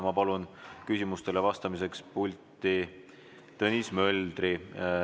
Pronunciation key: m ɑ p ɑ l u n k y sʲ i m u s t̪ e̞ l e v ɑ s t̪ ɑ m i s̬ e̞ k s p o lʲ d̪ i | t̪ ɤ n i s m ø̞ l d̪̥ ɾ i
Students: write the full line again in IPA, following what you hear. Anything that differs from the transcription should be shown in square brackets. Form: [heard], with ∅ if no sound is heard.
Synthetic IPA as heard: m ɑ p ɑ l u n k y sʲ i m u s t̪ e̞ l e v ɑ s t̪ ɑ m i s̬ e̞ k s p [u] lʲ [t̪] i | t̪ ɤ n i s m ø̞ l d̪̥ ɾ i